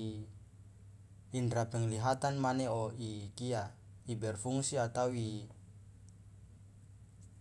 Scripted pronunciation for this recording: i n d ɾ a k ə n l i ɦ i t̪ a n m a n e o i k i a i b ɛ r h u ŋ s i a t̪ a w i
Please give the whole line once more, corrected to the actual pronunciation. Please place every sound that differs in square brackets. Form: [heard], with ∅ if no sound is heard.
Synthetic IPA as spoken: i n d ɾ a [p] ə [ŋ] l i ɦ [a] t̪ a n m a n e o i k i a i b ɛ r [f] u ŋ s i a t̪ a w i